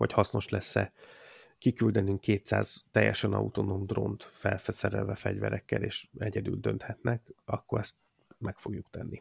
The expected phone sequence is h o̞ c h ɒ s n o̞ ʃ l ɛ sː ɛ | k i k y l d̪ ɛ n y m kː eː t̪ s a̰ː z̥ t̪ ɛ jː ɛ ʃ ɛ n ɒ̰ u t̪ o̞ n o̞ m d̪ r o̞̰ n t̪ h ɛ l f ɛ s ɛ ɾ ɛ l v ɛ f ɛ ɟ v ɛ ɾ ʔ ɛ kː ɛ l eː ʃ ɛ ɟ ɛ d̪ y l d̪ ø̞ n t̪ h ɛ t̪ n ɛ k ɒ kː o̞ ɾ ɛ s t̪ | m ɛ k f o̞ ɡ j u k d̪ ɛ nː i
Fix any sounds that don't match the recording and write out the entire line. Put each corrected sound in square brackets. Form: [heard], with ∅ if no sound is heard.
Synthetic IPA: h o̞ c h ɒ s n o̞ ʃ l ɛ sː ɛ | k i k y l d̪ ɛ n y [ŋ] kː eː t̪ s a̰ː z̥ t̪ ɛ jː ɛ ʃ ɛ n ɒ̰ u t̪ o̞ n o̞ m d̪ r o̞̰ n t̪ [f] ɛ l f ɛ s ɛ ɾ ɛ l v ɛ f ɛ ɟ v ɛ ɾ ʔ ɛ kː ɛ l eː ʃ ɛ ɟ ɛ d̪ y l d̪ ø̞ n t̪ h ɛ t̪ n ɛ k ɒ kː o̞ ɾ ɛ s t̪ | m ɛ k f o̞ ɡ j u k [t̪] ɛ nː i